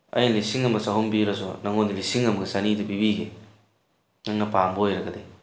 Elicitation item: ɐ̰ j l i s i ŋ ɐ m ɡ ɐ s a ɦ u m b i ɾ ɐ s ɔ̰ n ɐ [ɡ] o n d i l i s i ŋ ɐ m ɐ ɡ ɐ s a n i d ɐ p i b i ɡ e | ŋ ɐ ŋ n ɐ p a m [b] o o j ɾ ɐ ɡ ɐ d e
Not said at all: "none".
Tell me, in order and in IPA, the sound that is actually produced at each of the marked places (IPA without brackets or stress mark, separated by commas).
ŋ, b